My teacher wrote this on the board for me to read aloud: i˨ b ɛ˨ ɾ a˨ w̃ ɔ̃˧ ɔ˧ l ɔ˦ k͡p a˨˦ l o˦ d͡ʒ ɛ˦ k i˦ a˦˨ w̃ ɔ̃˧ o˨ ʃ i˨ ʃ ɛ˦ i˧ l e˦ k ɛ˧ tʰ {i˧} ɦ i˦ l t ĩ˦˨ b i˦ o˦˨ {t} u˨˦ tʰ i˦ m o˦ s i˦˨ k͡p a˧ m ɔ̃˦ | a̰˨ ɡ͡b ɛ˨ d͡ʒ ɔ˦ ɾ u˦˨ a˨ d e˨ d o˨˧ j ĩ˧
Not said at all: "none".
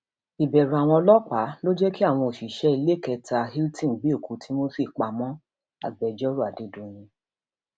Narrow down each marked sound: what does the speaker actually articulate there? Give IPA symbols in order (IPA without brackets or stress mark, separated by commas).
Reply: a˧, k